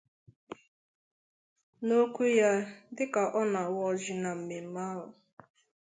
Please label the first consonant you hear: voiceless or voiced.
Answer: voiced